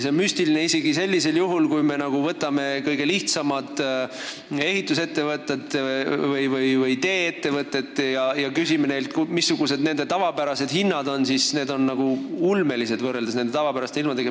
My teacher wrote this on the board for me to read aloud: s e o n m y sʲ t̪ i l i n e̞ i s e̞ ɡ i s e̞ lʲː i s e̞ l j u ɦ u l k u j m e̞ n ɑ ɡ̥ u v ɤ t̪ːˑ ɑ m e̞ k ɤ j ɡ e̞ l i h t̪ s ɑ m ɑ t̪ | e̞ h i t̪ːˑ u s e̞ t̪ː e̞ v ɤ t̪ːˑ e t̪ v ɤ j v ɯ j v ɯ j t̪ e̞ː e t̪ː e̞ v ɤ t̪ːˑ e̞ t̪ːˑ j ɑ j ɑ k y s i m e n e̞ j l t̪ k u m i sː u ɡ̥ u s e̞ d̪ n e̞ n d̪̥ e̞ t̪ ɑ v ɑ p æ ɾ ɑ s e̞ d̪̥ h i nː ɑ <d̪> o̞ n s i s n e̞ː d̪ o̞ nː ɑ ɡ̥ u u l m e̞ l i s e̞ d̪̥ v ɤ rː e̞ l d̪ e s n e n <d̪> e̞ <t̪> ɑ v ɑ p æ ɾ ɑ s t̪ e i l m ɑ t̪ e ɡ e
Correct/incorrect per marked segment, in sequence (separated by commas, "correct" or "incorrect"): correct, correct, correct